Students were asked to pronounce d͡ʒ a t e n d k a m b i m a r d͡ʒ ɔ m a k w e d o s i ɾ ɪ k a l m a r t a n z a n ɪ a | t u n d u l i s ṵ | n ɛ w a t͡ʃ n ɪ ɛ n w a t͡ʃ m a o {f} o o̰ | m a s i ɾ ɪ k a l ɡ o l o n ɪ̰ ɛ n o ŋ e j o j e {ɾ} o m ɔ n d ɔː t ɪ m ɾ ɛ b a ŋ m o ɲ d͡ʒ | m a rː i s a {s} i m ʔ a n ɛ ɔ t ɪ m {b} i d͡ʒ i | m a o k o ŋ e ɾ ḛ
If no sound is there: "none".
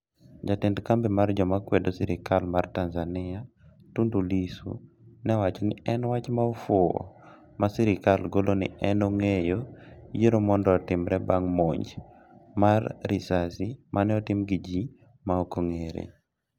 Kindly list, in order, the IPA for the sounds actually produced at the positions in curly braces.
f, ɾ, s, ɡ

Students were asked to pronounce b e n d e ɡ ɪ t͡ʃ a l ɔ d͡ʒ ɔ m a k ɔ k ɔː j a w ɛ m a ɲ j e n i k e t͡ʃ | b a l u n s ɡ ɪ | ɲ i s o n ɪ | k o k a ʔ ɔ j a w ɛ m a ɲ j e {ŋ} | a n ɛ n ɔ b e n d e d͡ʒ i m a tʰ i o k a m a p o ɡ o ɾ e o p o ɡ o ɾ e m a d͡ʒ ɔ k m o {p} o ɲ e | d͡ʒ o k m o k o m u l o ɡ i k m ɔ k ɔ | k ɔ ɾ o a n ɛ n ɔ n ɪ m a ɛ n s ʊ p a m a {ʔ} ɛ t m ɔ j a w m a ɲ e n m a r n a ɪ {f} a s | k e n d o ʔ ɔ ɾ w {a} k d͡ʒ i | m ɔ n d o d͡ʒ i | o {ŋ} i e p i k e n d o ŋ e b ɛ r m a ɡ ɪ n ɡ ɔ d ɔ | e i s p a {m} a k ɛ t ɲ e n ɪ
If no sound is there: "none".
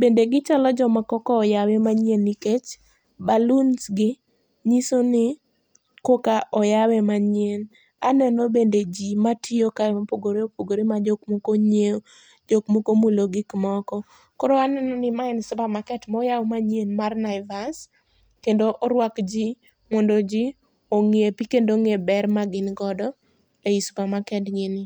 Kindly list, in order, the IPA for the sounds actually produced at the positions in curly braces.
n, k, k, v, a, ŋ, m

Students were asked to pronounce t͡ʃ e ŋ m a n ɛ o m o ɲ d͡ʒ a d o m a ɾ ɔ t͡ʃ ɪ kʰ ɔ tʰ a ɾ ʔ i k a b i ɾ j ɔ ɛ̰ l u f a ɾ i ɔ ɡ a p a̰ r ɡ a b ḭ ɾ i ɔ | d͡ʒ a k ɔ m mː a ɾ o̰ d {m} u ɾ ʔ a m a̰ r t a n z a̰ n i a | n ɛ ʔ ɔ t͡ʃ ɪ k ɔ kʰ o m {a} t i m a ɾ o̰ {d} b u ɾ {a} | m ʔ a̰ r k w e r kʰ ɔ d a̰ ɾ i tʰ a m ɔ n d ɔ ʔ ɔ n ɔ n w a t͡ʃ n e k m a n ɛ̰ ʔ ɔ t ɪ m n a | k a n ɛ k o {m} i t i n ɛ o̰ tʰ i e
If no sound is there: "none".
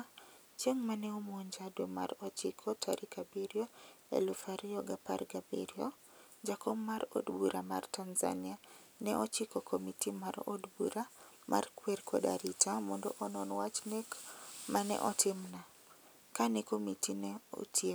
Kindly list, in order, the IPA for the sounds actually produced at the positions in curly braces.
b, i, d, a, m

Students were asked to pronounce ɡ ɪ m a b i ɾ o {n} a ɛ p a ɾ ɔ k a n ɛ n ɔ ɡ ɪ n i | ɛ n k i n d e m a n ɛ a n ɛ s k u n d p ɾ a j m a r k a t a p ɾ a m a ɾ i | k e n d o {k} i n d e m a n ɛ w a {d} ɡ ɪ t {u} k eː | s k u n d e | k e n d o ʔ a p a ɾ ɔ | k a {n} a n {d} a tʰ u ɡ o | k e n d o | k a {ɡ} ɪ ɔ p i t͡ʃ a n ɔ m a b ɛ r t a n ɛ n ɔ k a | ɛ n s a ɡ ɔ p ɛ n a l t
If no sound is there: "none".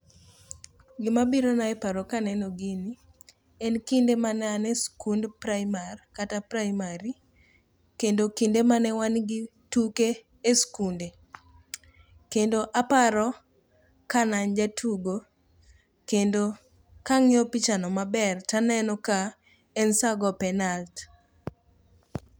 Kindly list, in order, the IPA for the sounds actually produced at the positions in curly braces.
n, k, n, u, n, d͡ʒ, ŋ

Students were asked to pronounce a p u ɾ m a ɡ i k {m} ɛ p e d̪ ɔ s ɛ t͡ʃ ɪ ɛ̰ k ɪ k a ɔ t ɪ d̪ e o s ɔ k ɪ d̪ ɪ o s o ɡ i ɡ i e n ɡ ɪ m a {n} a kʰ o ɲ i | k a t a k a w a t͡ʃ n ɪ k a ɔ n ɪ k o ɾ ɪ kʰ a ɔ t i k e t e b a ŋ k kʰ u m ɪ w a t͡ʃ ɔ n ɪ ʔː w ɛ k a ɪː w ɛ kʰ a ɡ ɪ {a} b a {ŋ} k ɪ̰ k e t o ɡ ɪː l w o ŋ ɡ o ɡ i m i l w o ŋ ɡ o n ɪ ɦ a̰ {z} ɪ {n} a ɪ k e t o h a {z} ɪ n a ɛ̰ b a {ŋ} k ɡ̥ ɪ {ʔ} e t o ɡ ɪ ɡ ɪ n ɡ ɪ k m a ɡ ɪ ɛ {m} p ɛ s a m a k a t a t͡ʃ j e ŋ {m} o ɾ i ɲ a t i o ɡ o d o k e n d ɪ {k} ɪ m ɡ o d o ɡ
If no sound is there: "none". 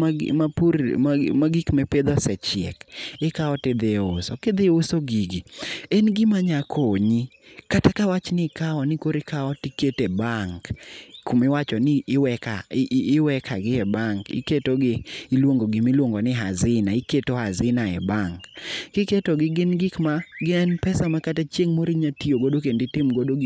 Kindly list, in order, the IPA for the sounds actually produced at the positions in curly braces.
m, ɲ, ɛ, ŋ, z, n, z, ŋ, k, n, m, t

